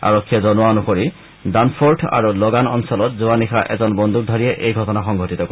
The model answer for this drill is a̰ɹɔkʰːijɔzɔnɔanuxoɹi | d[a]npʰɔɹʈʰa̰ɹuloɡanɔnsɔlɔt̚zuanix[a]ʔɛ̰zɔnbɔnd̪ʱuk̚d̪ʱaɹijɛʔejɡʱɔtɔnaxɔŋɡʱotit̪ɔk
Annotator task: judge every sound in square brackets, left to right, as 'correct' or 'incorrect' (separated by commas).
correct, correct